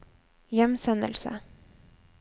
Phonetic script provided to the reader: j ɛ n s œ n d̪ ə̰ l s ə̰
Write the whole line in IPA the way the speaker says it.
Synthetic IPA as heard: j ɛ m s ɛ n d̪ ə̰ l s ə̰